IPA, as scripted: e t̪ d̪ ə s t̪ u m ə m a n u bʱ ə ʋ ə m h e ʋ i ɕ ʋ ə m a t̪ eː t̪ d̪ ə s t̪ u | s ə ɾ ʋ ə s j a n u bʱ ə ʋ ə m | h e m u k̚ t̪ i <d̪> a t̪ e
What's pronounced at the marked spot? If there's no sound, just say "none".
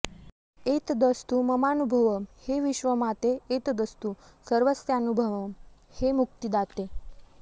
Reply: d̪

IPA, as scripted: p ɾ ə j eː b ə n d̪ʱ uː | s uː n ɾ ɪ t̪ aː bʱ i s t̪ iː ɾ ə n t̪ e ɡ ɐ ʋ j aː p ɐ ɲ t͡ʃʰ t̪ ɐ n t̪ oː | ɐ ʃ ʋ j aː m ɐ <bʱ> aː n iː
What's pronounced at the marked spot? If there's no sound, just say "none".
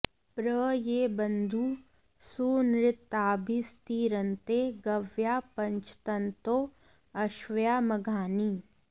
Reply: ɡʱ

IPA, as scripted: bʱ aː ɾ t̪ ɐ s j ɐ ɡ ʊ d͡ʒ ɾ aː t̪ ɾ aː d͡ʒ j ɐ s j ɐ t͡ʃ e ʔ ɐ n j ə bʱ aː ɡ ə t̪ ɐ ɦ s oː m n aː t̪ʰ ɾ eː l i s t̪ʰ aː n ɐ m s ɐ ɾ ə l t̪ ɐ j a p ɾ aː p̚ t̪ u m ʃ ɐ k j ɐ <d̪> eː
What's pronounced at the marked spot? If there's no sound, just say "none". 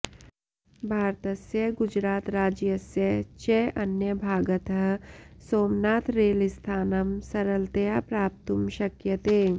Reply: t̪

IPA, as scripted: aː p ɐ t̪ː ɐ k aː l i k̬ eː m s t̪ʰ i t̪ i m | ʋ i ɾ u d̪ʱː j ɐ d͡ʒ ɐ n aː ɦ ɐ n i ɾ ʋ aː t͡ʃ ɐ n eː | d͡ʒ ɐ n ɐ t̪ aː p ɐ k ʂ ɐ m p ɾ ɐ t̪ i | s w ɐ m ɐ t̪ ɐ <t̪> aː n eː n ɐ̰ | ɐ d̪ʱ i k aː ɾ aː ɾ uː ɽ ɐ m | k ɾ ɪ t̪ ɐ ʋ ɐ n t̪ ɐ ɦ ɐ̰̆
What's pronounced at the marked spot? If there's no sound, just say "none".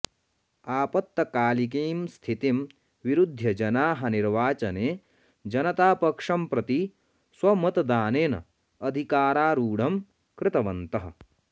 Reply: d̪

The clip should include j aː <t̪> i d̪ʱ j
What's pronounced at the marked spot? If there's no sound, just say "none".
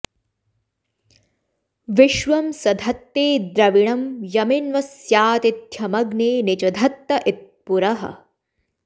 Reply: t̪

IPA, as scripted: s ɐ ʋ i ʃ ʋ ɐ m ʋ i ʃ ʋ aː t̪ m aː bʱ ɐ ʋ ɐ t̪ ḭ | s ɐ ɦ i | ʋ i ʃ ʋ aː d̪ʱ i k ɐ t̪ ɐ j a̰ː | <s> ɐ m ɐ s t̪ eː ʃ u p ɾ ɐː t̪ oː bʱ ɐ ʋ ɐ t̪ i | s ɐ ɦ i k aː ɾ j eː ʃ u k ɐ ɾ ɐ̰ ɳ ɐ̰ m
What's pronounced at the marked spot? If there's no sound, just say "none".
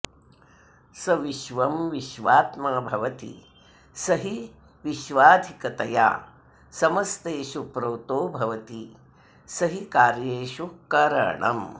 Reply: s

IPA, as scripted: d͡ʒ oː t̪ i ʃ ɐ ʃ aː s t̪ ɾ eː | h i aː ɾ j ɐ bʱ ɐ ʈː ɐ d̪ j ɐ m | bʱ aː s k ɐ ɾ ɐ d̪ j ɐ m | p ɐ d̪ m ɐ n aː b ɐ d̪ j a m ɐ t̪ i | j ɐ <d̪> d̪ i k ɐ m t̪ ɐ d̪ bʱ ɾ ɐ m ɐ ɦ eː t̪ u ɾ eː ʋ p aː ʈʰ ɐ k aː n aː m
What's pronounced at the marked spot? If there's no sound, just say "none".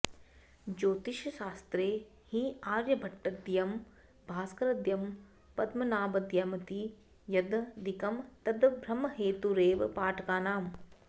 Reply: d̪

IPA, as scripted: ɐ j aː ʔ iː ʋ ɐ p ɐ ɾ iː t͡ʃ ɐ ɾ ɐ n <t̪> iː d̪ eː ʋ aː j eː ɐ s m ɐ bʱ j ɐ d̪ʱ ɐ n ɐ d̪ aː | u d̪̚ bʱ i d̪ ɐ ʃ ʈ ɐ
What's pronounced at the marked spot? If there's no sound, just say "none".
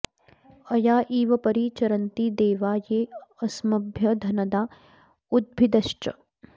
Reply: t̪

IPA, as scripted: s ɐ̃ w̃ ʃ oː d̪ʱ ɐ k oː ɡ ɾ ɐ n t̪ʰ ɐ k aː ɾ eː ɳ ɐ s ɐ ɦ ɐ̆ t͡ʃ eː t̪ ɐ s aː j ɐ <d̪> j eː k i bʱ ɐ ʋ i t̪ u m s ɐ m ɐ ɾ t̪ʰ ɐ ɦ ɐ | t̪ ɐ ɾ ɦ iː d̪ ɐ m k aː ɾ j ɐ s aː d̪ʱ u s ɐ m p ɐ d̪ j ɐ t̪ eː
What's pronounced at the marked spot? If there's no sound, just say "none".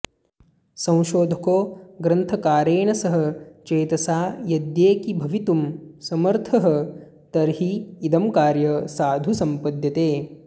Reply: d̪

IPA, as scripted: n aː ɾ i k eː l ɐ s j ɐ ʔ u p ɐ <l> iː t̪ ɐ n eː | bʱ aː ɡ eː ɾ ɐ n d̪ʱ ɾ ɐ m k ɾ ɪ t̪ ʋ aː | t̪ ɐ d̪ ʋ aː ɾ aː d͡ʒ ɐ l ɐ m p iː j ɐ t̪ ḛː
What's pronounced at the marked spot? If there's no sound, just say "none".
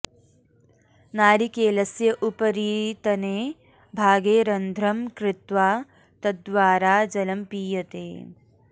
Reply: ɾ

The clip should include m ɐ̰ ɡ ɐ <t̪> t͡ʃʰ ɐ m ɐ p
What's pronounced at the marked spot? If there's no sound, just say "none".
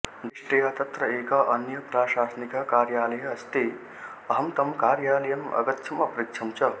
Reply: t̪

